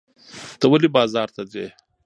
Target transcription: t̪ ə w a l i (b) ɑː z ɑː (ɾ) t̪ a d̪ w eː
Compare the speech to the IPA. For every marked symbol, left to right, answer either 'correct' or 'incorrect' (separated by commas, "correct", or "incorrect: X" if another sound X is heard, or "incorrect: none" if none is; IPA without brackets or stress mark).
correct, correct